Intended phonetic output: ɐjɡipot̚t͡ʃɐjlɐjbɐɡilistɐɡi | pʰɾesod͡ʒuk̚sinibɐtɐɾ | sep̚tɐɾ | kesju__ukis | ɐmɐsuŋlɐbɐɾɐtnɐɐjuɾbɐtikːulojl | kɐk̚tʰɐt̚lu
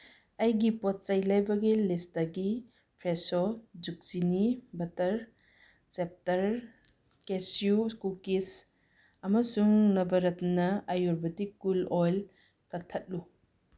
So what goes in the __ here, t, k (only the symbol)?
k